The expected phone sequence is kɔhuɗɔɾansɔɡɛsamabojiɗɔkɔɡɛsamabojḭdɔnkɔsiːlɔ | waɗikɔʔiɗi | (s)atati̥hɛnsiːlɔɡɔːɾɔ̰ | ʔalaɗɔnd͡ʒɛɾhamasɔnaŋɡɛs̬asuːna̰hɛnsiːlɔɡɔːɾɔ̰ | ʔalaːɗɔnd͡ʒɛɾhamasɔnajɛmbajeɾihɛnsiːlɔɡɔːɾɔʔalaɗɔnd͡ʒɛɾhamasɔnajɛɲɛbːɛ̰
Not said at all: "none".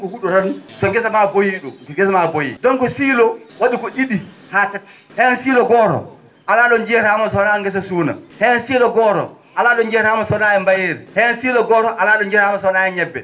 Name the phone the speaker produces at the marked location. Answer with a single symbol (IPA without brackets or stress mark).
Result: h